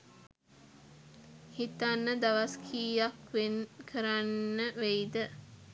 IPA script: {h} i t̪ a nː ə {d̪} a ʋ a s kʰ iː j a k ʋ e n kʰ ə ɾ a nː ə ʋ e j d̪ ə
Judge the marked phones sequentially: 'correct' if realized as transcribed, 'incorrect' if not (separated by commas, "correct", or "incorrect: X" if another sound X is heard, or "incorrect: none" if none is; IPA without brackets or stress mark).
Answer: correct, correct